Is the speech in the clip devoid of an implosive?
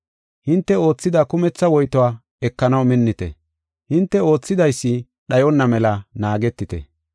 no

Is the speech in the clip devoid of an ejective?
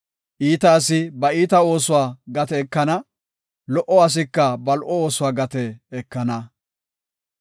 yes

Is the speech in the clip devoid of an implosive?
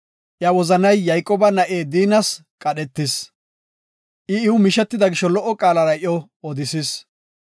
no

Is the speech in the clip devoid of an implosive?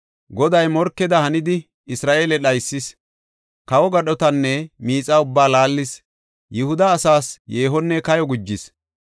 no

